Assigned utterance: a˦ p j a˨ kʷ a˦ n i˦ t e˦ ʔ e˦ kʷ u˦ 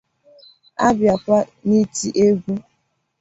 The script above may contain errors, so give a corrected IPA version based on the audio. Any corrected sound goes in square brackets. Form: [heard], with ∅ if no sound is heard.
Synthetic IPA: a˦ [b] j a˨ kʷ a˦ n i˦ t [i˦] ʔ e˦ [ɡʷ] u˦